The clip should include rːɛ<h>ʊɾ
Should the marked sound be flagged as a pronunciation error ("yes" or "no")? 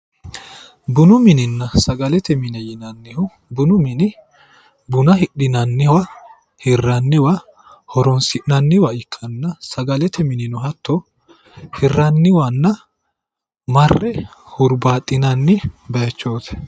no